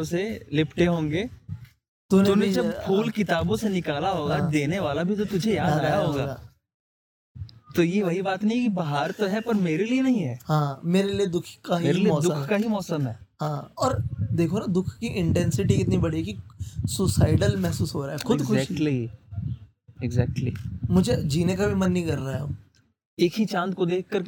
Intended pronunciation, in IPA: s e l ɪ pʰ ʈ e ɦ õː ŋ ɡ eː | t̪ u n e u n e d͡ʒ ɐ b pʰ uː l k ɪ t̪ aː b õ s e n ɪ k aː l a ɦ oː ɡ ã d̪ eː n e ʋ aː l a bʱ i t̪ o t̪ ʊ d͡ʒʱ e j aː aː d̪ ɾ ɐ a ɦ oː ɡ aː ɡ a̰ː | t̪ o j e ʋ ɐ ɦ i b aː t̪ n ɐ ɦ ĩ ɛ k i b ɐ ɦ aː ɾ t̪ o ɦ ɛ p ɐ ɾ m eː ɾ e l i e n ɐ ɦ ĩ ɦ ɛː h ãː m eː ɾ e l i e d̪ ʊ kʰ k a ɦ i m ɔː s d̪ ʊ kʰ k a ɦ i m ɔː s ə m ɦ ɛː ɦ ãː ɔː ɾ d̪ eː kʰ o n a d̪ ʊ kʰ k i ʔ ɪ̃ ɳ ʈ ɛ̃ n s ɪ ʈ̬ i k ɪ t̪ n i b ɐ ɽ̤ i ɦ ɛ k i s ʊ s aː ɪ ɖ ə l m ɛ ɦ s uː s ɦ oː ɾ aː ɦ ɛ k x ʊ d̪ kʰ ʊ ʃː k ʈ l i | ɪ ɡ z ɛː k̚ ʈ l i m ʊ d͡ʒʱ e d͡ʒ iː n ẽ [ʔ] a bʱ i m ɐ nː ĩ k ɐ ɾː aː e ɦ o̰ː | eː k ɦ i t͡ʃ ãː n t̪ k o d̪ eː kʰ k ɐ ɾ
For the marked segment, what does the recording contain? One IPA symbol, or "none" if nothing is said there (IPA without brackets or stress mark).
k